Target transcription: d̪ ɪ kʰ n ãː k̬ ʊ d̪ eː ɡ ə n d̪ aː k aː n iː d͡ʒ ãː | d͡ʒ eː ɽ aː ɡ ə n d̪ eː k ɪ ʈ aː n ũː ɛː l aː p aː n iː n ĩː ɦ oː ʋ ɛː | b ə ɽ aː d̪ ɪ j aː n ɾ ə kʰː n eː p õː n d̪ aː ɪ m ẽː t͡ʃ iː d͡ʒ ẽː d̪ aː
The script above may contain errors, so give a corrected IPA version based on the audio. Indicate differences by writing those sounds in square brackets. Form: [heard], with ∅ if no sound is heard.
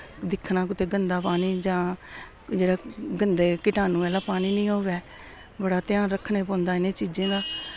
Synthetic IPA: d̪ ɪ kʰ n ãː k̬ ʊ [t̪] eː ɡ ə n d̪ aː [p] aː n iː d͡ʒ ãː | d͡ʒ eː ɽ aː ɡ ə n d̪ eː k ɪ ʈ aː n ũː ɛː l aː p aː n iː n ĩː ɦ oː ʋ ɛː | b ə ɽ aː [t̪] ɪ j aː n ɾ ə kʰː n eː p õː n d̪ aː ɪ [n] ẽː t͡ʃ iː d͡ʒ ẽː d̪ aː